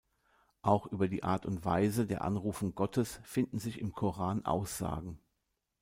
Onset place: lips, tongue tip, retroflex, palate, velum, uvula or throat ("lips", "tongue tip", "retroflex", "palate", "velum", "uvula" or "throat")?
throat